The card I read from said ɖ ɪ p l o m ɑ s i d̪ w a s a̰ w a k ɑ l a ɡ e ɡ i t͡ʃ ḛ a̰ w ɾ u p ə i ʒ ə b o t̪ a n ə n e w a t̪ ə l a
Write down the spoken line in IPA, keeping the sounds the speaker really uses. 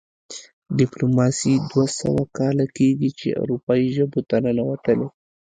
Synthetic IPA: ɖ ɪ p l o m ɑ s i d̪ w a s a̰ w a k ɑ l a k e ɡ i t͡ʃ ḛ a̰ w ɾ u p ɑ i ʒ ə b o t̪ a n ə n a w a t̪ ə l e

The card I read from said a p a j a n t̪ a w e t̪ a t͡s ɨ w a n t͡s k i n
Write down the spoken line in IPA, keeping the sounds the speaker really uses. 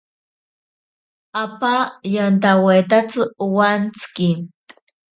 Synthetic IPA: a p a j a n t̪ a w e t̪ a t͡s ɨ w a n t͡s k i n

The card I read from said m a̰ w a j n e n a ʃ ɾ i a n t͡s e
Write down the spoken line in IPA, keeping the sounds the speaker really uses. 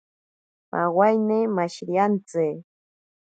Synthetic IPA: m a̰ w a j n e m a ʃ ɾ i a n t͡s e

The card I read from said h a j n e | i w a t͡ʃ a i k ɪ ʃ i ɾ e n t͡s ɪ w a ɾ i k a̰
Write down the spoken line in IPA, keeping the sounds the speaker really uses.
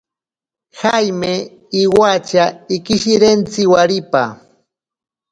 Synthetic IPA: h a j m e | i w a t͡ʃ a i k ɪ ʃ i ɾ e n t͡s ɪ w a ɾ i p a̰

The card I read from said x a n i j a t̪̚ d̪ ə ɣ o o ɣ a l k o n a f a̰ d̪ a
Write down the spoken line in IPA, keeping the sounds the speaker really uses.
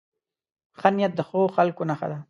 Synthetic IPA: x a n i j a t̪̚ d̪ ə x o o x a l k o n a x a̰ d̪ a

